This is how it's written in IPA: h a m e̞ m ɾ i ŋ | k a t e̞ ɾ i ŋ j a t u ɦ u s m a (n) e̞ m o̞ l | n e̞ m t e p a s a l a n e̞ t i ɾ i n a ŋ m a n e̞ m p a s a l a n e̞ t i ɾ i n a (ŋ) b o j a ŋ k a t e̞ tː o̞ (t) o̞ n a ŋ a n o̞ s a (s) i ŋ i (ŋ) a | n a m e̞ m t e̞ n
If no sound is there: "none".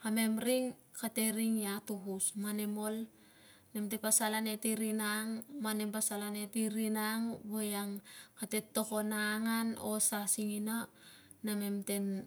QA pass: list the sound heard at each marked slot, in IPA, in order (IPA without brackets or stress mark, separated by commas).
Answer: n, ŋ, k, s, n